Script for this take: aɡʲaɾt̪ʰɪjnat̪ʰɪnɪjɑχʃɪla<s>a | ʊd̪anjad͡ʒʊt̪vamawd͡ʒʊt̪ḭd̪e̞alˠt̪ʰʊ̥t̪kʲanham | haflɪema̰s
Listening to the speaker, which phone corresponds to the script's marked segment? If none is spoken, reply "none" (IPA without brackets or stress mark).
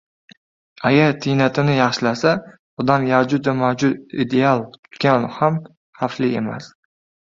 s